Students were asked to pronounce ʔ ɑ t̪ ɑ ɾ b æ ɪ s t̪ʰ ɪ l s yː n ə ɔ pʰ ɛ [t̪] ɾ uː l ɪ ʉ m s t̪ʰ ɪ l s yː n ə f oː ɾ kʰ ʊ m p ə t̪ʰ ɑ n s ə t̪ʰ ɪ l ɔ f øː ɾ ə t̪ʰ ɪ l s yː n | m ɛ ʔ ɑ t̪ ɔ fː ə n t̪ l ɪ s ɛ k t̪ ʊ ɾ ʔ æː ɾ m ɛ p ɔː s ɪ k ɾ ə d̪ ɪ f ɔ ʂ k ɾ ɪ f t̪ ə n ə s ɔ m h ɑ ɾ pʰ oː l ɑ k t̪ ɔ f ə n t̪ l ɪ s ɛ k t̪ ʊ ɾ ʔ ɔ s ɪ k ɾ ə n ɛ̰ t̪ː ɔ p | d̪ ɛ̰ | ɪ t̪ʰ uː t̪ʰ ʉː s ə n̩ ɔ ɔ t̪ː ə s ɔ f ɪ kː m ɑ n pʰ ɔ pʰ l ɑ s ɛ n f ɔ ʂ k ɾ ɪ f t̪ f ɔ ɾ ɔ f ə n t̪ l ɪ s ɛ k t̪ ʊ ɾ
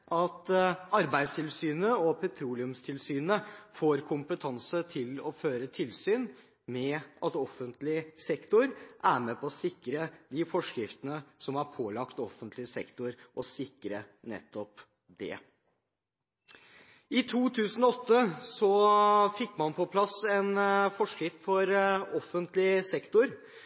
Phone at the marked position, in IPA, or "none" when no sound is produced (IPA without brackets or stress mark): t̪ʰ